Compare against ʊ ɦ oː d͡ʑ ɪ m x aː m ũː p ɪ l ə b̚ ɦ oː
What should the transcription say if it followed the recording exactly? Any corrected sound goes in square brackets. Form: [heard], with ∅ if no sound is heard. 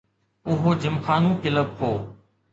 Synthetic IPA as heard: ʊ ɦ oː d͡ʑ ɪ m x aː [n] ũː [k] ɪ l ə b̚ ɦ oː

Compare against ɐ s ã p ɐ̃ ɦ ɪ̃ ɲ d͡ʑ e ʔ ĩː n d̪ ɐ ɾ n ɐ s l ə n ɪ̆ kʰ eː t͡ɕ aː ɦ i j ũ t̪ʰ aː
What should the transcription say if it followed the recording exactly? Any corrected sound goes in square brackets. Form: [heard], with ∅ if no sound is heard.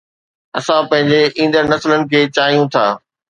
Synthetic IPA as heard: ɐ s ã p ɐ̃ ɦ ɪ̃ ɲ d͡ʑ e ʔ ĩː n d̪ [ə] ɾ n ɐ s l ə n ɪ̆ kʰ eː t͡ɕ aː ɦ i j ũ t̪ʰ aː

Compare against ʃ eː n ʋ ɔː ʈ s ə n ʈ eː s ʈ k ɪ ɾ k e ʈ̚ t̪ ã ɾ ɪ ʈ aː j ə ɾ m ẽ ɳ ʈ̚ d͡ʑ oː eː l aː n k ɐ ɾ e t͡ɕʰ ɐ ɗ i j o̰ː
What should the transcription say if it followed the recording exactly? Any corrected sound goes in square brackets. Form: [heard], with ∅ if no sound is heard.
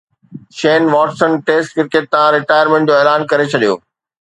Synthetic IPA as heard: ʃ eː n ʋ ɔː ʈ s ə n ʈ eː s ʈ k ɪ ɾ k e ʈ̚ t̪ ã ɾ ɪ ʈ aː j ə ɾ m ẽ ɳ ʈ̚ d͡ʑ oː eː l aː n k ɐ ɾ e t͡ɕʰ ɐ ɗ i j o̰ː

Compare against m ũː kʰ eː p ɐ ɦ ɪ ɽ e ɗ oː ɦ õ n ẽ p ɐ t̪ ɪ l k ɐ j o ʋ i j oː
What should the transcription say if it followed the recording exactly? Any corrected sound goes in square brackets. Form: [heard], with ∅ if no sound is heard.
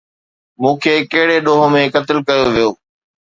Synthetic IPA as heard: m ũː kʰ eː [k] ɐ ɦ ɪ ɽ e ɗ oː ɦ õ [m] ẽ [k] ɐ t̪ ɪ l k ɐ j o ʋ i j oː

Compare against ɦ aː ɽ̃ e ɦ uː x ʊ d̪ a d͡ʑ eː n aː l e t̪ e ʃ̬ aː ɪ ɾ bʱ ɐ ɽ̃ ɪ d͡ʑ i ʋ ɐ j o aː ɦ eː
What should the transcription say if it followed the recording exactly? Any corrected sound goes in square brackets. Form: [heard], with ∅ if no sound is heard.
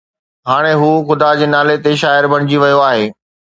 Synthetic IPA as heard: ɦ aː ɽ̃ e ɦ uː x ʊ d̪ a d͡ʑ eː n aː l e t̪ e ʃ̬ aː ɪ ɾ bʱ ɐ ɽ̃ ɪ d͡ʑ i ʋ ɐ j o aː ɦ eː

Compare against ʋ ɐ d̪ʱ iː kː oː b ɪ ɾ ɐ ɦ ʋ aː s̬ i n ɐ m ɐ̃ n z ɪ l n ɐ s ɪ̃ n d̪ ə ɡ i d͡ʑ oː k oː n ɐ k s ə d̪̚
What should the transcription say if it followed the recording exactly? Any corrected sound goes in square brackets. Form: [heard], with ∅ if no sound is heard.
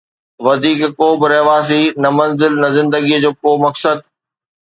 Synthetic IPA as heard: ʋ ɐ d̪ʱ iː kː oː b ɪ ɾ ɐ ɦ ʋ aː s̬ i n ɐ m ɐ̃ n z ɪ l n ɐ [z] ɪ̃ n d̪ ə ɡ i d͡ʑ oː k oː [m] ɐ k s ə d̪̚

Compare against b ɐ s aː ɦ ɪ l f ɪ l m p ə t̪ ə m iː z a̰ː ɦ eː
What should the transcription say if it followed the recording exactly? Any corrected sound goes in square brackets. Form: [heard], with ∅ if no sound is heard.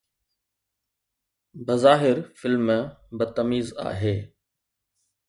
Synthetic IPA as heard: b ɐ [z] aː ɦ ɪ [ɾ] f ɪ l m [b] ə t̪ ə m iː z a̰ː ɦ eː

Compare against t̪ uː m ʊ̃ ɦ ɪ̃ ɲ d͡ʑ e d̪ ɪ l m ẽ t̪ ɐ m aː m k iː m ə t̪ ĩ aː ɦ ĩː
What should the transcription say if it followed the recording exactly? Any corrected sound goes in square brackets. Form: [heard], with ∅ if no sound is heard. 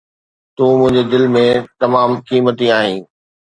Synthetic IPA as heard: t̪ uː m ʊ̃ ɦ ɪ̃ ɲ d͡ʑ e d̪ ɪ l m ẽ t̪ ɐ m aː m k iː m ə t̪ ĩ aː ɦ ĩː

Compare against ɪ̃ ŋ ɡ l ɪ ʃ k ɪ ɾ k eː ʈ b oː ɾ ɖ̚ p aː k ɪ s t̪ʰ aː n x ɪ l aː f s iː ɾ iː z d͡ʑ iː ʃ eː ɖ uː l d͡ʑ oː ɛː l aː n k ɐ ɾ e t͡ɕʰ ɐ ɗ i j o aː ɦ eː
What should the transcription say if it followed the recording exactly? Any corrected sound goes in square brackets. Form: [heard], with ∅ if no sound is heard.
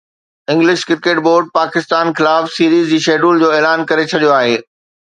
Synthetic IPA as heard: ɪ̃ ŋ ɡ l ɪ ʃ k ɪ ɾ k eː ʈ b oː ɾ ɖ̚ p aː k ɪ s [t̪] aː n x ɪ l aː f s iː ɾ iː z d͡ʑ iː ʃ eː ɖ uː l d͡ʑ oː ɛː l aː n k ɐ ɾ e t͡ɕʰ ɐ ɗ i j o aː ɦ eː

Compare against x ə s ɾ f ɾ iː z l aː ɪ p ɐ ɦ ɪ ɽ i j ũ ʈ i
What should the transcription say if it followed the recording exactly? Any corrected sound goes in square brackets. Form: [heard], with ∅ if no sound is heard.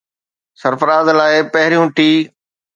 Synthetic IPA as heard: [s] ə [∅] ɾ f ɾ [aː] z l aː ɪ p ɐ ɦ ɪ [ɾ] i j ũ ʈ [iː]

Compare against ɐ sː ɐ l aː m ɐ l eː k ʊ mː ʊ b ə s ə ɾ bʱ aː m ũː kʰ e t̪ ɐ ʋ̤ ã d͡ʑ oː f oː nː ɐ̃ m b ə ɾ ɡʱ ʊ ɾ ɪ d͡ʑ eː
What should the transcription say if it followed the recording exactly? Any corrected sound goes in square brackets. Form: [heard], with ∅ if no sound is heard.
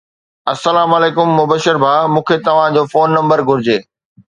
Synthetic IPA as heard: ɐ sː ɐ l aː m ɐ l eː k ʊ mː ʊ b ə [ʃ] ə ɾ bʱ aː m ũː kʰ e t̪ ɐ ʋ̤ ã d͡ʑ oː f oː nː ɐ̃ m b ə ɾ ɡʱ ʊ ɾ ɪ d͡ʑ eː

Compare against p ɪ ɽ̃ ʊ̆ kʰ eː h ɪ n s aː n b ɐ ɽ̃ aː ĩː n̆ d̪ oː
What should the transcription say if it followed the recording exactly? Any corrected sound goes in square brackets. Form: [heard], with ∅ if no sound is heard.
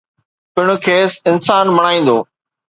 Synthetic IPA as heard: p ɪ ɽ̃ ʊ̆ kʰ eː [s] ɪ n s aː n [m] ɐ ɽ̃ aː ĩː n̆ d̪ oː

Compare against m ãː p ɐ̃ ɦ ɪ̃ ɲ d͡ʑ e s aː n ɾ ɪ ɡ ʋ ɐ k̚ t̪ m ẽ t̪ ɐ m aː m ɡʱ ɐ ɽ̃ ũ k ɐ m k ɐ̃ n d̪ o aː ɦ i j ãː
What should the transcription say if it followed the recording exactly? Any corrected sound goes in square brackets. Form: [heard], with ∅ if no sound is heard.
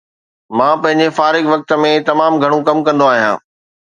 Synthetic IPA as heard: m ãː p ɐ̃ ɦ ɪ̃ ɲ d͡ʑ e [f] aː [∅] ɾ ɪ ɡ ʋ ɐ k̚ t̪ m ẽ t̪ ɐ m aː m ɡʱ ɐ ɽ̃ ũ k ɐ m k ɐ̃ n d̪ o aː ɦ i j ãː

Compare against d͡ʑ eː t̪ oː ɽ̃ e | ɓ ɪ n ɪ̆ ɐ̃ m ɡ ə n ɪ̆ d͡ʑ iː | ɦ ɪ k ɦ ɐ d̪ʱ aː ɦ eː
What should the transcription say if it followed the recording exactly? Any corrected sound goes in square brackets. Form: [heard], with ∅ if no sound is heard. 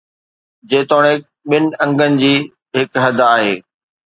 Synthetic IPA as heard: d͡ʑ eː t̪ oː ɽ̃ e | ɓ ɪ n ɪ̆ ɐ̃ [ŋ] ɡ ə n ɪ̆ d͡ʑ iː | ɦ ɪ k ɦ ɐ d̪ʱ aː ɦ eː

